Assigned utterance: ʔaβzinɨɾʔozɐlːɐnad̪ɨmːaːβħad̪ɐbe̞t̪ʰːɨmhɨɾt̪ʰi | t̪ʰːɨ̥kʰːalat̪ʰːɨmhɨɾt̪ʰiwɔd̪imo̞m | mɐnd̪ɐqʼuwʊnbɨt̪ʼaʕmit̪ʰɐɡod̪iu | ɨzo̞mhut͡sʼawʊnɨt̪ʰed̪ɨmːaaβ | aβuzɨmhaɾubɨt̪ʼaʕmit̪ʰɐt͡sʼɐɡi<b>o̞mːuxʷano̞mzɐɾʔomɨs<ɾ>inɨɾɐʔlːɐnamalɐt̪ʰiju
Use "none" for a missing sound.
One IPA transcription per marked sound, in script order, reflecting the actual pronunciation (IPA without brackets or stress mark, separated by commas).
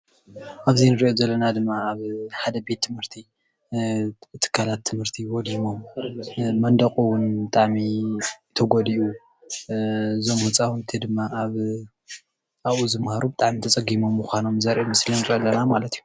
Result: m, l